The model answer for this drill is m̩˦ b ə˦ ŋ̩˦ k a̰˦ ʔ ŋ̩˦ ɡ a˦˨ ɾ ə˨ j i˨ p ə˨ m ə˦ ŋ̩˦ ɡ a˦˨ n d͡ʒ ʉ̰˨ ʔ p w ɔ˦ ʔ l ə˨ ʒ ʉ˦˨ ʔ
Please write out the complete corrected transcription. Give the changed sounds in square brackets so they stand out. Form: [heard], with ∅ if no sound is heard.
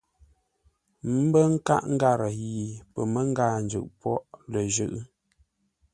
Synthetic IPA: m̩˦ b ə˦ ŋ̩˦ k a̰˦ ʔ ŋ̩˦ ɡ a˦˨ ɾ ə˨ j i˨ p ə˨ m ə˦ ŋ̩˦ ɡ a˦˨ n d͡ʒ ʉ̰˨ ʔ p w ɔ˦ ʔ l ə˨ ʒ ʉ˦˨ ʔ

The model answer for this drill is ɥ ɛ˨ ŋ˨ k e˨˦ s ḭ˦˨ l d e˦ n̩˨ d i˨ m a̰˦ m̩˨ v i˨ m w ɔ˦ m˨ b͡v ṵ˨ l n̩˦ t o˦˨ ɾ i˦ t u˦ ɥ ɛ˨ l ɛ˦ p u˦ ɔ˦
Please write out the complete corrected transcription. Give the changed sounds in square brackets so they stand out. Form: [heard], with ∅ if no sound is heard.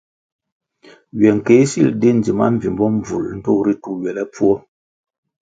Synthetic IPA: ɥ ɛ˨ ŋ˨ k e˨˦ s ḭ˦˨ l d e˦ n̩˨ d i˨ m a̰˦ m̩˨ v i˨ m [b] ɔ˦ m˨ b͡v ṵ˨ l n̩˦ t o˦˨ ɾ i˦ t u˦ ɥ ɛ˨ l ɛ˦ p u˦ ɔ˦

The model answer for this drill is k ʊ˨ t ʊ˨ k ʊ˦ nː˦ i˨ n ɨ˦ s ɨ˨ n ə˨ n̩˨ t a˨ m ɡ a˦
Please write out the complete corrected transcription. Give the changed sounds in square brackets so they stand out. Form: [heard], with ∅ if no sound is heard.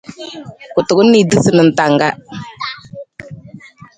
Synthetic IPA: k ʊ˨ t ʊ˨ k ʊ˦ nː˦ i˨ [d] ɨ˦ s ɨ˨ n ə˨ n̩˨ t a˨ [ŋ] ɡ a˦

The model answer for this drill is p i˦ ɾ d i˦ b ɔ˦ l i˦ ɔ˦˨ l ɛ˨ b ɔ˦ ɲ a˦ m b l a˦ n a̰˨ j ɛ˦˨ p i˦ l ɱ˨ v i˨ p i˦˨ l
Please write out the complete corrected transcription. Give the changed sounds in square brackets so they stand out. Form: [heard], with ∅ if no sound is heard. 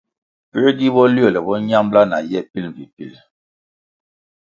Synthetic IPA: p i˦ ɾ d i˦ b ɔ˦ l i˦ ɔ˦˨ l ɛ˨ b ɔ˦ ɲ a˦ m b l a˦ n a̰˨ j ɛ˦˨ p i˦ l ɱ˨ v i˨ p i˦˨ l

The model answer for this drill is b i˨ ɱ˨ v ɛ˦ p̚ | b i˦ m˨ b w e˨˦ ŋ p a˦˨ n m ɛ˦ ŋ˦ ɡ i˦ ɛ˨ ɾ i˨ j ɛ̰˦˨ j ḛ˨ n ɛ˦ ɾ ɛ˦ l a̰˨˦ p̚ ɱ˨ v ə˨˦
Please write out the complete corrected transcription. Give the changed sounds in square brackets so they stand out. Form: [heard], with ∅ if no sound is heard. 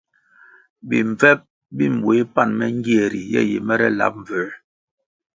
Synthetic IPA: b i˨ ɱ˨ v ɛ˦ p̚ | b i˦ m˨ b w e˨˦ [∅] p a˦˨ n m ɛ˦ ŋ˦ ɡ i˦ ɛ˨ ɾ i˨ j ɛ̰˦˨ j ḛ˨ [m] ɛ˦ ɾ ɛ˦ l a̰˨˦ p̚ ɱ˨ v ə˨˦

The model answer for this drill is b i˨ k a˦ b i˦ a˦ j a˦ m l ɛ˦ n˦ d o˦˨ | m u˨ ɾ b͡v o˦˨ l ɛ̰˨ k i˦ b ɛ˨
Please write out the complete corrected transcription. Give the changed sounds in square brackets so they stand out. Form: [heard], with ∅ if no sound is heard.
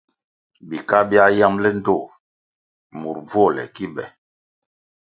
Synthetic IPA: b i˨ k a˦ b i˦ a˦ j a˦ m l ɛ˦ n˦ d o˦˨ | m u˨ ɾ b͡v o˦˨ l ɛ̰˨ k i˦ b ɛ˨

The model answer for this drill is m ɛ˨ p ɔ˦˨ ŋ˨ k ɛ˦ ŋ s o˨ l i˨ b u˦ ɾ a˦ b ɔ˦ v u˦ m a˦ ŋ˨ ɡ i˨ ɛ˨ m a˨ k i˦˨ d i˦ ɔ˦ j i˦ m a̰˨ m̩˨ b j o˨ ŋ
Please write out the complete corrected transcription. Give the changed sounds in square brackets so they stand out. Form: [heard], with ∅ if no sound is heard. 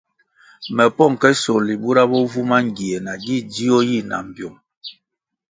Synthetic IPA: m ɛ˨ p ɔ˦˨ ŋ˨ k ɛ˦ [∅] s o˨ l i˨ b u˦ ɾ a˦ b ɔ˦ v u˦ m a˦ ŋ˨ ɡ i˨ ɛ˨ [n] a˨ [ɡ] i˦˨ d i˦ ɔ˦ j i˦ [n] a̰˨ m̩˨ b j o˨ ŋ

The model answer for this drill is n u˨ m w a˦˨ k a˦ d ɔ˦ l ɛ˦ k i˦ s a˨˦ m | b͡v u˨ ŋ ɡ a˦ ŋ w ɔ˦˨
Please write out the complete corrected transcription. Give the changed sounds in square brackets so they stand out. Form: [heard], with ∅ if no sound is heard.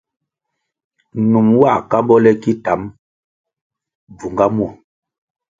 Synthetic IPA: n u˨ m w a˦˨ k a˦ [b] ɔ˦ l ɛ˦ k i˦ [t] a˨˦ m | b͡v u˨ ŋ ɡ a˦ [m] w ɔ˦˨

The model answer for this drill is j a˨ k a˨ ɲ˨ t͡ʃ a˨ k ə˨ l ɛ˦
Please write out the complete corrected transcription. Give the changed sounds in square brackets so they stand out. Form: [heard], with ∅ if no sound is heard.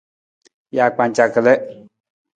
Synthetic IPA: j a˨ [k͡p] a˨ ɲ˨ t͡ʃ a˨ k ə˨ l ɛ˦

